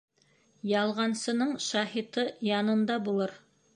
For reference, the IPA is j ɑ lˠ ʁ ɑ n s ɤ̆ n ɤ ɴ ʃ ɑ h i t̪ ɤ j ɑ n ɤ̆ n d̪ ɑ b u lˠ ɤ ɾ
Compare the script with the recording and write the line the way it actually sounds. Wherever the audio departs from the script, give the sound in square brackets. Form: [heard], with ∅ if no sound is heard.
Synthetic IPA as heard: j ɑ lˠ ʁ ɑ n s ɤ̆ n ɤ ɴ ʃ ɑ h i t̪ ɤ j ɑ n ɤ̆ n d̪ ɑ b u lˠ ɤ ɾ